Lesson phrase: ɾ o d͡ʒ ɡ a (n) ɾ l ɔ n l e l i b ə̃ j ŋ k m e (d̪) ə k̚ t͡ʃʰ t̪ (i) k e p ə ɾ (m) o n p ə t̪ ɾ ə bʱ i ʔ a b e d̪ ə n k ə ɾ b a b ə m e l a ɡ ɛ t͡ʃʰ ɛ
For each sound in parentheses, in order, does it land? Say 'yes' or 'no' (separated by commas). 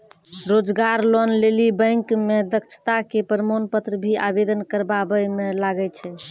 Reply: no, yes, no, yes